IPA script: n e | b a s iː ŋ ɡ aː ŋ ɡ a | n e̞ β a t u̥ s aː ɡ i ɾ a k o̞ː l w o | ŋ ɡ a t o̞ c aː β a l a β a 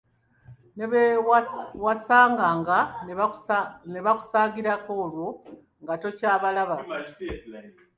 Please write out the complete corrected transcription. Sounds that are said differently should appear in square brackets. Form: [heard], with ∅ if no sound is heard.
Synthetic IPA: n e | [w] a s [aː] ŋ ɡ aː ŋ ɡ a | n e̞ β a [k] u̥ s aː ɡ i ɾ a k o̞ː l w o | ŋ ɡ a t o̞ c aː β a l a β a